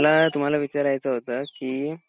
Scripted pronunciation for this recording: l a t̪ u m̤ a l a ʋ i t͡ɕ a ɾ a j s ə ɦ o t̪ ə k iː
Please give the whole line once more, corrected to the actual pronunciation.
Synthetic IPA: l a t̪ u m̤ a l a ʋ i t͡ɕ a ɾ a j t͡s ə ɦ o t̪ ə k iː

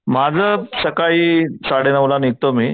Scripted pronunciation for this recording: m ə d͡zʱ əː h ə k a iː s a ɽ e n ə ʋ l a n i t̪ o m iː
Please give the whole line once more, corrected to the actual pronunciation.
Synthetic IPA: m a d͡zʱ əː s ə k a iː s a ɽ e n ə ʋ l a n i t̪ o m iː

